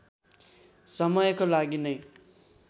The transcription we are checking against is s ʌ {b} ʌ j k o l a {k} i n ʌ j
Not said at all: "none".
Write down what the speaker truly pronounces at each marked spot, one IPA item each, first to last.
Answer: m, ɡ

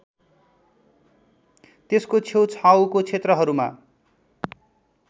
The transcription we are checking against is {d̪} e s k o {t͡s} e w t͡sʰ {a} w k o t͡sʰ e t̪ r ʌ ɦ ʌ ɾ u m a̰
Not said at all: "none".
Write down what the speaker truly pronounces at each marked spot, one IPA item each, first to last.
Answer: t̪, t͡sʰ, a

